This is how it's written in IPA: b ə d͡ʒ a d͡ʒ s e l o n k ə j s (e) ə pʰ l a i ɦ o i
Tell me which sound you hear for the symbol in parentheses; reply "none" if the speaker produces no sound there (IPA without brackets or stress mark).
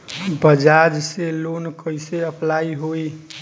e